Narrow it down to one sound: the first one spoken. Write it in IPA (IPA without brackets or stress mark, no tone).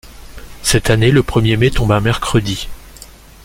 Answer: s